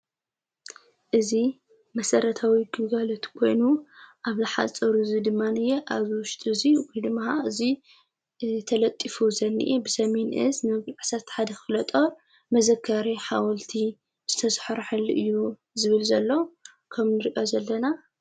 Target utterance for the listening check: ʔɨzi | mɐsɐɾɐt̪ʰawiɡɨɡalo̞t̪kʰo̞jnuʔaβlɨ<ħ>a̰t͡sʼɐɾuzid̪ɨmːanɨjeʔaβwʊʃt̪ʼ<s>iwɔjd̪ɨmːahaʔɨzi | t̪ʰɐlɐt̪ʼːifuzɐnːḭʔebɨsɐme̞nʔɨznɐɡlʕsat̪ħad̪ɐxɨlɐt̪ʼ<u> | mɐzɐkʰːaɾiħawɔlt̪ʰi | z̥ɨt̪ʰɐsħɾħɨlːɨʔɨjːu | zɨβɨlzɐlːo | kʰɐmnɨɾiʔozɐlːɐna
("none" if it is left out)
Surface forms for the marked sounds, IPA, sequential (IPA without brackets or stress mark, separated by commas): ħ, z, o